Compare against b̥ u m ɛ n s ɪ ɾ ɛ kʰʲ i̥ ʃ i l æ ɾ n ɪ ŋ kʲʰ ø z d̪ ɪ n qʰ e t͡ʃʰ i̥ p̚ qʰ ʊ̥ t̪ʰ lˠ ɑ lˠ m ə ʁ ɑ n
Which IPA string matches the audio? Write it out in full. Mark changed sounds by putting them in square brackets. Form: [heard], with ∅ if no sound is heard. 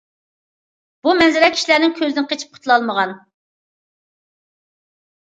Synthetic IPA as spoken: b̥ u m ɛ n [z] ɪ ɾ ɛ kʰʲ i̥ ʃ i l æ ɾ n ɪ ŋ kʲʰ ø z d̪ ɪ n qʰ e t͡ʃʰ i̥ p̚ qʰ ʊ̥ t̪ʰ lˠ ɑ lˠ m ə ʁ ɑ n